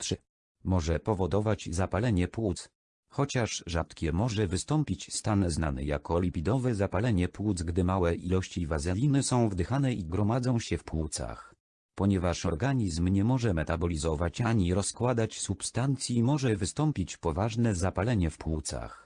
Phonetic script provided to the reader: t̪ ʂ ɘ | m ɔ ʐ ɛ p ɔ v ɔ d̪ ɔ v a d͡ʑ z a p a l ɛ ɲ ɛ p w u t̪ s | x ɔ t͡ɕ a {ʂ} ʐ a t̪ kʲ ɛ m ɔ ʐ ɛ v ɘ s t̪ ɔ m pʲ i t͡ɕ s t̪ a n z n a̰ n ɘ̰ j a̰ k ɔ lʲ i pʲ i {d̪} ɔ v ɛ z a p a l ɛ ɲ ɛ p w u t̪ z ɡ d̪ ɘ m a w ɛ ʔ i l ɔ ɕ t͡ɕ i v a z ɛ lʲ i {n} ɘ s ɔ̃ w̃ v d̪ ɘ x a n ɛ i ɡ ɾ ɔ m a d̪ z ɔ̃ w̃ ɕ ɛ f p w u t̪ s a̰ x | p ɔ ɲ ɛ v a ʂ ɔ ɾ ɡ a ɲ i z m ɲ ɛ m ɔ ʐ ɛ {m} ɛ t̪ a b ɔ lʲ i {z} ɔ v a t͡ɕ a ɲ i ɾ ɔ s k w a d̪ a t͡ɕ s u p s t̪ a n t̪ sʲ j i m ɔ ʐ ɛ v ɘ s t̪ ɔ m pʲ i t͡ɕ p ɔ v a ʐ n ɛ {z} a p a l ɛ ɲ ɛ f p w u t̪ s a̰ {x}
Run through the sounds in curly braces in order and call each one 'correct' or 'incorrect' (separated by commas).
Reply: correct, correct, correct, correct, correct, correct, correct